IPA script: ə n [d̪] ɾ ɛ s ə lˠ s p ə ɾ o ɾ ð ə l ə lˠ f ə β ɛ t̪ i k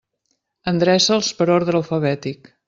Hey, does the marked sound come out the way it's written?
yes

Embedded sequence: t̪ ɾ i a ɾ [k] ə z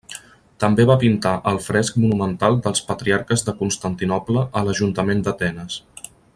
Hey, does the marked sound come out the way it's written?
yes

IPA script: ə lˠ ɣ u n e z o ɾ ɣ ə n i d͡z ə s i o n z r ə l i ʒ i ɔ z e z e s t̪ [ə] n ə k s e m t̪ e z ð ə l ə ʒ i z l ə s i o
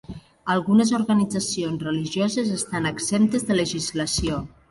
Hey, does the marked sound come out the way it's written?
no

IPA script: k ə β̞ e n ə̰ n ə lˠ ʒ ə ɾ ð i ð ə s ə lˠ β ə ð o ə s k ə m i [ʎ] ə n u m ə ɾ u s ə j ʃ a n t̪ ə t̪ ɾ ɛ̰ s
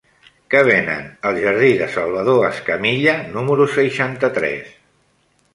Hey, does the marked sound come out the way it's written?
yes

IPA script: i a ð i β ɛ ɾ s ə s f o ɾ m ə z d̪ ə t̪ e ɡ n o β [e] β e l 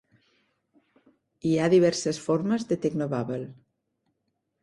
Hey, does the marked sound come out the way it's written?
no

